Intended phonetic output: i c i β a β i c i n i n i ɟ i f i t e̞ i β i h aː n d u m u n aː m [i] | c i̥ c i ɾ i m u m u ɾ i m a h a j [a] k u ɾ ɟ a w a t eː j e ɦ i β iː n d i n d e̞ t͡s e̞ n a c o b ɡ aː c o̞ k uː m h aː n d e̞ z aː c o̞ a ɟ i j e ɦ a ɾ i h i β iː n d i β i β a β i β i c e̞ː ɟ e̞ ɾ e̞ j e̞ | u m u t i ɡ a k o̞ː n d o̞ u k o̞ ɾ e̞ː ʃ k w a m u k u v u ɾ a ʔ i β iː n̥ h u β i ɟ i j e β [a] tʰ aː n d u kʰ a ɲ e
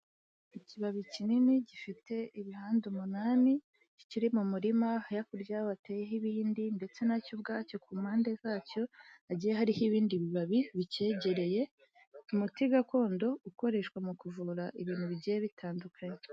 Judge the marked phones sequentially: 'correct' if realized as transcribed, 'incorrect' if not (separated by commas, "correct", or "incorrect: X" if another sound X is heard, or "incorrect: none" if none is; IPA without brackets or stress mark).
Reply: correct, correct, incorrect: i